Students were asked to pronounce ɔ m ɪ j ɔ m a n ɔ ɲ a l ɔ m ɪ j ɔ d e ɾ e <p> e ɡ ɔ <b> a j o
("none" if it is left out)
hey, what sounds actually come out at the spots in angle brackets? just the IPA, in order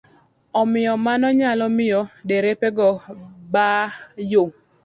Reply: p, b

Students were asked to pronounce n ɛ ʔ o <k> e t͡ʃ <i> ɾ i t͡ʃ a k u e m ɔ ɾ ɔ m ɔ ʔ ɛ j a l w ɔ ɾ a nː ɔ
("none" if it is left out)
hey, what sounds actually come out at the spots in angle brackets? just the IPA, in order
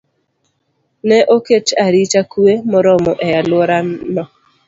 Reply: k, a

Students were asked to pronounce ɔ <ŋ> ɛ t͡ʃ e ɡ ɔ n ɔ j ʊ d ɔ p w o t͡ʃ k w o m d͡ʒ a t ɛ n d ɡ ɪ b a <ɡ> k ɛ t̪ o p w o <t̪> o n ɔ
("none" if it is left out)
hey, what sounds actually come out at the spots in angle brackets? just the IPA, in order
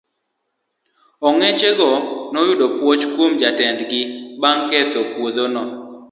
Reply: ŋ, ŋ, d̪

